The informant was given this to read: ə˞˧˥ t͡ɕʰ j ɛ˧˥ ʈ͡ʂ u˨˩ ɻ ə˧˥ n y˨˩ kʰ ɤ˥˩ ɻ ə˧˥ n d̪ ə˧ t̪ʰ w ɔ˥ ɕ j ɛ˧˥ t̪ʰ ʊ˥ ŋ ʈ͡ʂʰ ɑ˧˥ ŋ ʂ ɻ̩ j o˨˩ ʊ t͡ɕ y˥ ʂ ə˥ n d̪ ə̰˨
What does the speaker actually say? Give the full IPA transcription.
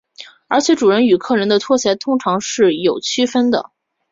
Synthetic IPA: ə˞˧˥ t͡ɕʰ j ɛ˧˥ ʈ͡ʂ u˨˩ ɻ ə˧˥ n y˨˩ kʰ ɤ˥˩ ɻ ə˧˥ n d̪ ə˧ t̪ʰ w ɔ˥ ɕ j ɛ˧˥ t̪ʰ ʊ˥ ŋ ʈ͡ʂʰ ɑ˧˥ ŋ ʂ ɻ̩ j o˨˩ ʊ t͡ɕʰ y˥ f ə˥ n d̪ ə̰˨